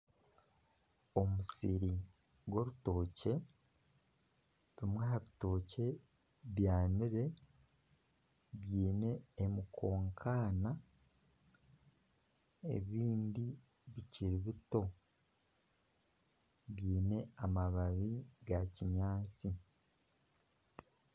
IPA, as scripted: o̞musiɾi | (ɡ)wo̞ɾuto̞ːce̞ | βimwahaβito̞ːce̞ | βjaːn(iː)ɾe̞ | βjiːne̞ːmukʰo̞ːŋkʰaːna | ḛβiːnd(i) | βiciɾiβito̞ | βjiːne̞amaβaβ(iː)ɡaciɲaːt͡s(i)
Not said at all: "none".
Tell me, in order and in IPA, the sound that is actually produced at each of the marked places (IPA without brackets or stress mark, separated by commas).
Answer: ɡ, i, i, i, i